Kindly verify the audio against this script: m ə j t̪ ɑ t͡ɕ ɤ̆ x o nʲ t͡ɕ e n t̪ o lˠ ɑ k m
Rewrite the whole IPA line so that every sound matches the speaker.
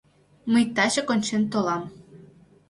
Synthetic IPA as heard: m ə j t̪ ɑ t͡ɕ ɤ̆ k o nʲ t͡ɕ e n t̪ o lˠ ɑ m

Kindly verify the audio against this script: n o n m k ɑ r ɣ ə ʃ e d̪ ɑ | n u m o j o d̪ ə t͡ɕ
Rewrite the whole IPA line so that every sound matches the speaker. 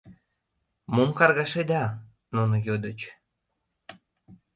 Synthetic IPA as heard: m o m k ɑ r ɣ ɑ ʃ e d̪ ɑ | n u n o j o d̪ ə t͡ɕ

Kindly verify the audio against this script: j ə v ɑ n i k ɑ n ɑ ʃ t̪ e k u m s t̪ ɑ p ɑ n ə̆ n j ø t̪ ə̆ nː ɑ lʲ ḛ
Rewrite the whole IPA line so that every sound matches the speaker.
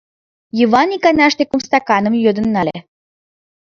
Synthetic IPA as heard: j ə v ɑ n i k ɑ n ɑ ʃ t̪ e k u m s t̪ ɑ k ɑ n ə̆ m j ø d̪ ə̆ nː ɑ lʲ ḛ

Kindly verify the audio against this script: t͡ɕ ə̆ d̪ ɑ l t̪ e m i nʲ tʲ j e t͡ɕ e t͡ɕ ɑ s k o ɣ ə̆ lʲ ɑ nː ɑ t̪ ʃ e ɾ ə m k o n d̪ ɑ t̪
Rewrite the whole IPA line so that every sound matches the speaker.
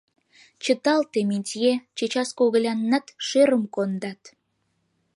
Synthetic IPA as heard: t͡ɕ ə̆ t̪ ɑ l t̪ e m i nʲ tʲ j e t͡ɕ e t͡ɕ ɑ s k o ɣ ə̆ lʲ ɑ nː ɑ t̪ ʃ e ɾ ə m k o n d̪ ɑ t̪

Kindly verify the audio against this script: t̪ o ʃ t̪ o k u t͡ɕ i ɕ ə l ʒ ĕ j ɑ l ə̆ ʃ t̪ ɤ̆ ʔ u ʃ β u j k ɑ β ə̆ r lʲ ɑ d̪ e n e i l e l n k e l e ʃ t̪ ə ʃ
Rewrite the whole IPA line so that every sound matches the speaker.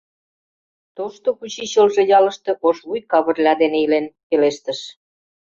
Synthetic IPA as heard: t̪ o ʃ t̪ o k u t͡ɕ i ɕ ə l ʒ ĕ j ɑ l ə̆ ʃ t̪ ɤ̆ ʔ o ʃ β u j k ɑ β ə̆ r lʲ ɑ d̪ e n e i l e n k e l e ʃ t̪ ə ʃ

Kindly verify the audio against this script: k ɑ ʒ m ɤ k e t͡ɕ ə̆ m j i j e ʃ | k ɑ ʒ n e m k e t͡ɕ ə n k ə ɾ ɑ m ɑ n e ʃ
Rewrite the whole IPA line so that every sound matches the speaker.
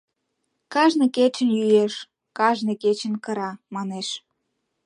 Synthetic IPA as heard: k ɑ ʒ n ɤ k e t͡ɕ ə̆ n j y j e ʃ | k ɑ ʒ n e k e t͡ɕ ə n k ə ɾ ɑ m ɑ n e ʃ

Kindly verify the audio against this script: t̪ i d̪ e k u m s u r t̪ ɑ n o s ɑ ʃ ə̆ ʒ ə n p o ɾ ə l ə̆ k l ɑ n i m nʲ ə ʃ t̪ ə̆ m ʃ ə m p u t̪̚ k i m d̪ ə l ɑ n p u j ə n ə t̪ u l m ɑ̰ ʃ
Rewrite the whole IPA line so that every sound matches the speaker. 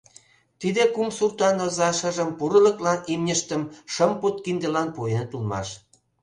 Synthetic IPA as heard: t̪ i d̪ e k u m s u r t̪ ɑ n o z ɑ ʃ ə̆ ʒ ə m p u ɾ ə l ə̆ k l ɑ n i m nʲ ə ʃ t̪ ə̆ m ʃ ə m p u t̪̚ k i n d̪ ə l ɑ n p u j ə n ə t̪ u l m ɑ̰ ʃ

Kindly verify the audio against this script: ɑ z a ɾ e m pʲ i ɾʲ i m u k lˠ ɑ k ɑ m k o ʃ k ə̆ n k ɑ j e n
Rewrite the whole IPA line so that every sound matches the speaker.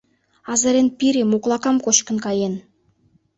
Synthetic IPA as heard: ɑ z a ɾ e n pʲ i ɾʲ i m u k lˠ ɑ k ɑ m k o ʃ k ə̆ n k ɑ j e n

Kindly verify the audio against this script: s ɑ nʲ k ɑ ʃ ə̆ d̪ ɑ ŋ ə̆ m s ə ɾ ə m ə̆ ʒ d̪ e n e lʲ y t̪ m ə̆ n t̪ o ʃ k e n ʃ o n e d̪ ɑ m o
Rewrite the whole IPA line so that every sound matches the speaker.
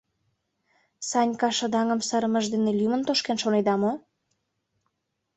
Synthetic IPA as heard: s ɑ nʲ k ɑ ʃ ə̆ d̪ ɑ ŋ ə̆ m s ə ɾ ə m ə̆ ʒ d̪ e n e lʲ y m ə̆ n t̪ o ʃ k e n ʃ o n e d̪ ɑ m o

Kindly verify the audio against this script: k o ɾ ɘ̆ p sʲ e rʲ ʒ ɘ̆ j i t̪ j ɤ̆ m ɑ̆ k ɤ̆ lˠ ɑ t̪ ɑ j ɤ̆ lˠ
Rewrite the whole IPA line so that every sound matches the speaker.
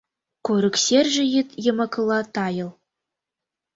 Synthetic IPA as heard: k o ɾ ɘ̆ k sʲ e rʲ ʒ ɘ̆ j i t̪ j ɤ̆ m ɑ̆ k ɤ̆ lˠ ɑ t̪ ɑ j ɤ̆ lˠ

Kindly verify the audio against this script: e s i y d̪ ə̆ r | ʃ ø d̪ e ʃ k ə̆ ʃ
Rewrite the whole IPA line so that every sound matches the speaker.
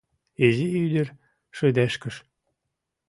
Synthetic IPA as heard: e z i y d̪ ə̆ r | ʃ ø d̪ æ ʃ k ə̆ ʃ

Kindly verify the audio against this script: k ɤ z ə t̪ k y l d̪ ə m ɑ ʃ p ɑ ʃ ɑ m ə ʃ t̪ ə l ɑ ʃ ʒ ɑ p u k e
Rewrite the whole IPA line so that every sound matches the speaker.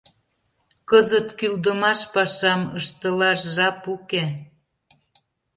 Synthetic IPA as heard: k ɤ z ə t̪ k y l d̪ ə m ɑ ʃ p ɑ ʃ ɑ m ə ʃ t̪ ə l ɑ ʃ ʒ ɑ p u k e

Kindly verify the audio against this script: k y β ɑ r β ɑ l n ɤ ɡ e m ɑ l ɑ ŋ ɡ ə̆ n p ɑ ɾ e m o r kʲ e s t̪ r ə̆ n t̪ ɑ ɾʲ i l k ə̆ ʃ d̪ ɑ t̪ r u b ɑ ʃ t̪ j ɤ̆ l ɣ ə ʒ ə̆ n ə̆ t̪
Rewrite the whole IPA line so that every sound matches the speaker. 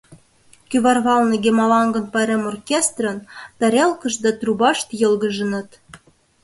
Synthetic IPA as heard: k y β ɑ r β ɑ l n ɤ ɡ e m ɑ l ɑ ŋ ɡ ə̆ n p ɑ ɾ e m o r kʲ e s t̪ r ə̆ n t̪ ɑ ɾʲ e l k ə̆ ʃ d̪ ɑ t̪ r u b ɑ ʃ t̪ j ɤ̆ l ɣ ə ʒ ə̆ n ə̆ t̪

